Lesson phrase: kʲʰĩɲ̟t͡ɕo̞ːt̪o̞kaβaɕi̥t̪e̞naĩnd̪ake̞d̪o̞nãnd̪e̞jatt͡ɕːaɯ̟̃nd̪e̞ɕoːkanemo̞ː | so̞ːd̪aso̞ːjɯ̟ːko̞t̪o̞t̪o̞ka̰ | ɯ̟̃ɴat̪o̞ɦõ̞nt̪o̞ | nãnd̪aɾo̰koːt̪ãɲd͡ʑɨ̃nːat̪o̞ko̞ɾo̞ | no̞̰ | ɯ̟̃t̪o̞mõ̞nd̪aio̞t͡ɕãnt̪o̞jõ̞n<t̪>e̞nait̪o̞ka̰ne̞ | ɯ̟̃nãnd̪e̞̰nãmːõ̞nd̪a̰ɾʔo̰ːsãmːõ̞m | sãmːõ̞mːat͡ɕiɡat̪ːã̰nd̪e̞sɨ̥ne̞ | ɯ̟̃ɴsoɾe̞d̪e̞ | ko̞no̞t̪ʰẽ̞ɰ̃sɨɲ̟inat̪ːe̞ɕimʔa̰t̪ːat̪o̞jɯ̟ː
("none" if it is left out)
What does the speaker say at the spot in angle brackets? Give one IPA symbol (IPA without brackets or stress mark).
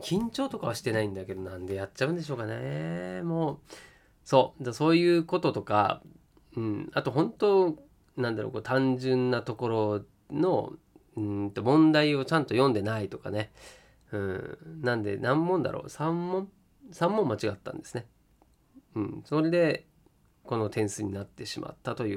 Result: d̪